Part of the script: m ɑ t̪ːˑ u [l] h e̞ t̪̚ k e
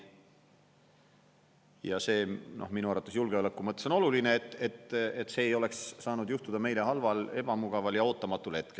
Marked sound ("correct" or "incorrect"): correct